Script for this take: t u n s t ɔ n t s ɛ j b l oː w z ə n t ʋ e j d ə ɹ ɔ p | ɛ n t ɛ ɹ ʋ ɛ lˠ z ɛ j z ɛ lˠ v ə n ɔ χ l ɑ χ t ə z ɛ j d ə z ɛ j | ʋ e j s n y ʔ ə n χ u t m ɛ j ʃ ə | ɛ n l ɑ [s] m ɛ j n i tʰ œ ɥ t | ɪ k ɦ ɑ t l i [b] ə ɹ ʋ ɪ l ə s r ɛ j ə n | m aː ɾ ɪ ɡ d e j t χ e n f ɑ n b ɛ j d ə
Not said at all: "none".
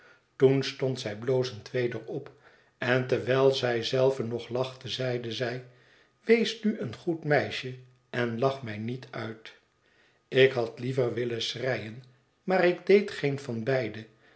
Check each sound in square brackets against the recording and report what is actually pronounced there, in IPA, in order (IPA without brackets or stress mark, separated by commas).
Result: χ, v